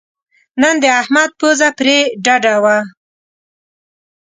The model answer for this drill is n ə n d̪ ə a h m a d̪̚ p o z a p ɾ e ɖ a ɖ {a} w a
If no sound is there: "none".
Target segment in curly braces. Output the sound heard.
a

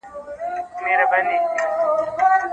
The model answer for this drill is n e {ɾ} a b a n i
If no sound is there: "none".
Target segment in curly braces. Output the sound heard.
ɾ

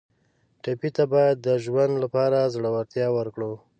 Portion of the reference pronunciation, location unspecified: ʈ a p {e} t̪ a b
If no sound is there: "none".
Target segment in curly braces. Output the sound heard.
i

